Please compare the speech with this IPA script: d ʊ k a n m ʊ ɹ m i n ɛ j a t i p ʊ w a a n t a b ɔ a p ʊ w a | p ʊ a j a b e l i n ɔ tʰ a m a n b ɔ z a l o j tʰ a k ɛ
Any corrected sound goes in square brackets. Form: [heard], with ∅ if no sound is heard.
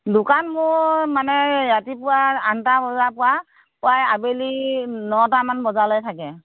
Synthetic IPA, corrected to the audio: d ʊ k a n m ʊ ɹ m [a] n ɛ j a t i p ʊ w a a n t a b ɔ a p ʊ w a | p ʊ a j a b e l i n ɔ [t] a m a n b ɔ z a l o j tʰ a k ɛ